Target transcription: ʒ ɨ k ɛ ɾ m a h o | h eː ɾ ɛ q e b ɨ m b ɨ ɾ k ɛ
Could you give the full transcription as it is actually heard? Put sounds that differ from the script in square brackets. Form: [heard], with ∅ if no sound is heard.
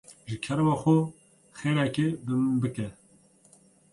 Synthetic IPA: ʒ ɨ [kʰ] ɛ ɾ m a [x] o | [x] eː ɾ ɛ [k] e b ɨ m b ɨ [∅] k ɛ

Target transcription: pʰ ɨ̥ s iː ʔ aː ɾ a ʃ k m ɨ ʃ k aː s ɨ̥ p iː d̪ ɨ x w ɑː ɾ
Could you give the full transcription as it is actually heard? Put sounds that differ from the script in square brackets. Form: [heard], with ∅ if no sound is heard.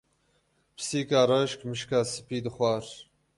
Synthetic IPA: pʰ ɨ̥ s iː [k] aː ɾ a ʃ k m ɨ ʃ k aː s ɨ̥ p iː d̪ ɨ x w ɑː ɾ

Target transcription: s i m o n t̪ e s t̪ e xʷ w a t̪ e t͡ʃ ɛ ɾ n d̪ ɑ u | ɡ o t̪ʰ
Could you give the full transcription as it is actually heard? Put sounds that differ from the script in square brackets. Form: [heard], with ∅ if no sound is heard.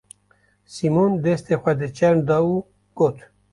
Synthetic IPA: s i m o n [d̪] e s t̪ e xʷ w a [d̪] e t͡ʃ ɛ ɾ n d̪ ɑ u | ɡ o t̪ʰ

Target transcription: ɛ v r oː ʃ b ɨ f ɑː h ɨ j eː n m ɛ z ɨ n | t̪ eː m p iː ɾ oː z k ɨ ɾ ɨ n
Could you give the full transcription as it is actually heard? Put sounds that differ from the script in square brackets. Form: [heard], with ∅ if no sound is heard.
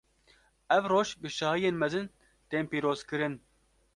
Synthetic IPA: ɛ v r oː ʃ b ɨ [ʃ] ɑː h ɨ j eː n m ɛ z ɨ n | t̪ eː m p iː ɾ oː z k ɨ ɾ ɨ n

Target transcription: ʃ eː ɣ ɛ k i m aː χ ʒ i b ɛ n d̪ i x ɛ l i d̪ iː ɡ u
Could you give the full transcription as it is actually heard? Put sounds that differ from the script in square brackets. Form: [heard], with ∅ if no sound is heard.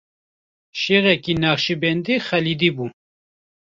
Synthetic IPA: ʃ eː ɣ ɛ k i [n] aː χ [ʃ] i b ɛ n d̪ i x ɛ l i d̪ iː [b] u

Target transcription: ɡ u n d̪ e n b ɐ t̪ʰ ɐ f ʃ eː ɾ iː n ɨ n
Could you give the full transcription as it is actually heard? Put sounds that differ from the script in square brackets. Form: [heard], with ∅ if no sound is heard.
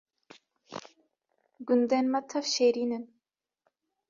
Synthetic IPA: ɡ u n d̪ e n [m] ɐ t̪ʰ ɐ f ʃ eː ɾ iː n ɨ n

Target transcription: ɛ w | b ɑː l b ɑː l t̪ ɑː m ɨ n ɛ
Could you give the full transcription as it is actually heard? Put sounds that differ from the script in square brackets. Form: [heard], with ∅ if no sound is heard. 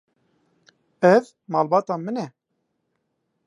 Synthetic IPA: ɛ [v] | [m] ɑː l b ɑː [∅] t̪ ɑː m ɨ n ɛ

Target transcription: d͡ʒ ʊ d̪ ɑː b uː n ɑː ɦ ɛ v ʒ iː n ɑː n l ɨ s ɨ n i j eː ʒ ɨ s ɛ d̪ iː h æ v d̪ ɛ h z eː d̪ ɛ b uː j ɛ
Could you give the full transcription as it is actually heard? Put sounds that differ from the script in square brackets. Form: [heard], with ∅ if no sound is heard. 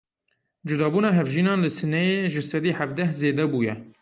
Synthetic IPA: d͡ʒ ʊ d̪ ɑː b uː n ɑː ɦ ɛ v ʒ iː n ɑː n l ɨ s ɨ n [ɛ] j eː ʒ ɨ s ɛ d̪ iː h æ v d̪ ɛ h z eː d̪ ɛ b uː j ɛ

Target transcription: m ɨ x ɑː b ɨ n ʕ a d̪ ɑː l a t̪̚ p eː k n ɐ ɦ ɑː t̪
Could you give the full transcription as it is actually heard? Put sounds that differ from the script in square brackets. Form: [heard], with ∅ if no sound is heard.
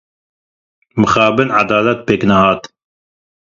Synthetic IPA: m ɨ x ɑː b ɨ n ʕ a d̪ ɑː l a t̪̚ p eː k n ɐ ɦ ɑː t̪

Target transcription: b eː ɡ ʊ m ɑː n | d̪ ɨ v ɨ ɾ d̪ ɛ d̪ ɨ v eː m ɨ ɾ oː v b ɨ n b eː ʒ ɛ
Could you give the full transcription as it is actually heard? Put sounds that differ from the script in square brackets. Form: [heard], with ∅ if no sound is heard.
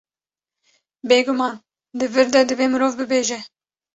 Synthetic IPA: b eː ɡ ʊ m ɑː n | d̪ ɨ v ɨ ɾ d̪ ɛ d̪ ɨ v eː m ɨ ɾ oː v b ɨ [∅] b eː ʒ ɛ

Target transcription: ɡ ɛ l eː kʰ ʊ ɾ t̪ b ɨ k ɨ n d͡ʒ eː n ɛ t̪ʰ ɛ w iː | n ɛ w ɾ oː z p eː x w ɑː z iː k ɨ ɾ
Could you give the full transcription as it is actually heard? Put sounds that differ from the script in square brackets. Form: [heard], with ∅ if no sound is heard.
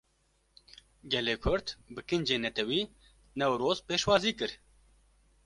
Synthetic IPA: ɡ ɛ l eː kʰ ʊ ɾ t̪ b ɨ k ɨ n d͡ʒ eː n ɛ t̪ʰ ɛ w iː | n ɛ w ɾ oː z p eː [ʃ] w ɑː z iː k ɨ ɾ

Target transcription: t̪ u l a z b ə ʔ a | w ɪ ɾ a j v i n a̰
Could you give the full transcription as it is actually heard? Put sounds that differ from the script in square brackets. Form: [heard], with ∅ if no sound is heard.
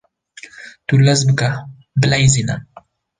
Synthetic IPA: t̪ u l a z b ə [k] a | [b] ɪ [l] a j [z] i n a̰

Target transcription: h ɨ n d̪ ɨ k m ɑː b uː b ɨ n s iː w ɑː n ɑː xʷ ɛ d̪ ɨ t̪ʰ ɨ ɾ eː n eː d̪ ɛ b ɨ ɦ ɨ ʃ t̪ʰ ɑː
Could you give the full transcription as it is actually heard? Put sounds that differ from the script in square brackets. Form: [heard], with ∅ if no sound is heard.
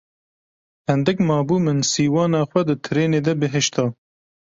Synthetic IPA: h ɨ n d̪ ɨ k m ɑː b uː [m] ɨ n s iː w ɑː n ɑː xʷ ɛ d̪ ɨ t̪ʰ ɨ ɾ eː n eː d̪ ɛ b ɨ ɦ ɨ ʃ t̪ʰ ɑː

